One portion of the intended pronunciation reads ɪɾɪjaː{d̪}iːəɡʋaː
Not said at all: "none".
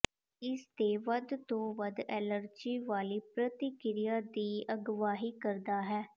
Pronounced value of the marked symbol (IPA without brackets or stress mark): d̪